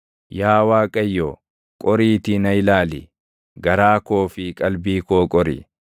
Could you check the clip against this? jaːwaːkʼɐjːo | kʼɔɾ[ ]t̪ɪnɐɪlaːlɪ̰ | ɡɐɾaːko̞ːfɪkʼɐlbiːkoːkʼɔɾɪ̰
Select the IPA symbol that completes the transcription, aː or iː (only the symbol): iː